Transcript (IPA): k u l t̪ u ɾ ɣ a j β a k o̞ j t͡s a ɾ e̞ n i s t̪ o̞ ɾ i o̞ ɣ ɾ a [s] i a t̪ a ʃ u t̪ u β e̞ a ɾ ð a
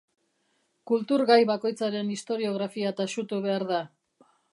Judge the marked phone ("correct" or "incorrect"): incorrect